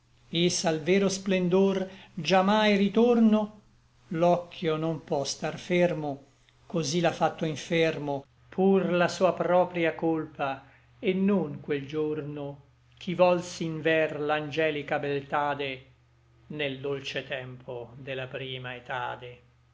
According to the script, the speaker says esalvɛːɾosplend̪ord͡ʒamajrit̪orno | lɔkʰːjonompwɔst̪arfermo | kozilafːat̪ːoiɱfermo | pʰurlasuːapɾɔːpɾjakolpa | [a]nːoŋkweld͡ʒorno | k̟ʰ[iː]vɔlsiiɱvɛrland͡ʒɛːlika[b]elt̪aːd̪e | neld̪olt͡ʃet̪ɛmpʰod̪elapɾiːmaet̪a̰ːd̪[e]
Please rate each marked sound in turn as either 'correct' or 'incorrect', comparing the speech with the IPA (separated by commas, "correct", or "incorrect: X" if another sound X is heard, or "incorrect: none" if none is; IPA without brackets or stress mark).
incorrect: e, incorrect: i, correct, correct